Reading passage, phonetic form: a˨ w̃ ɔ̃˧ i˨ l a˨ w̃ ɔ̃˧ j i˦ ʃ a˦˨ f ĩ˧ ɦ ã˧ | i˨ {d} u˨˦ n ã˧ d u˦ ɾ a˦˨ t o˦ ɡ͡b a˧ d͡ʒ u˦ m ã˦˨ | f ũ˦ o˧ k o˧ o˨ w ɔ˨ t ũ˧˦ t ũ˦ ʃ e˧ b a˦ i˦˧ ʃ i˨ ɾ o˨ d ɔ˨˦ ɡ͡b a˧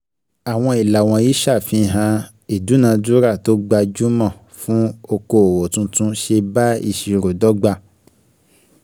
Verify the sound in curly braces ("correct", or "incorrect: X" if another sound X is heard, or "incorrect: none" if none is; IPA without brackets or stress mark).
correct